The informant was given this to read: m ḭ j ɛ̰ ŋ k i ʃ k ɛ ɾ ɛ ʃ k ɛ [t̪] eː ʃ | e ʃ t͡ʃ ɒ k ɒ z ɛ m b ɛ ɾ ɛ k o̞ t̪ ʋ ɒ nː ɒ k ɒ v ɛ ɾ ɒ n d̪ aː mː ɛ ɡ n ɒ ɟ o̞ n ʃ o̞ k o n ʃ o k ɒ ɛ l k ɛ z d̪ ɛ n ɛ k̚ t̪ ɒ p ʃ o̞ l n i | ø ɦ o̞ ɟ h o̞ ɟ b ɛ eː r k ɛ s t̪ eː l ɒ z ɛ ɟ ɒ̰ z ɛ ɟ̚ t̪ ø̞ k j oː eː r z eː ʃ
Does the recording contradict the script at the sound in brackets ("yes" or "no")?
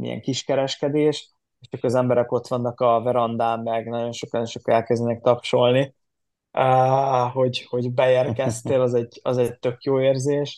yes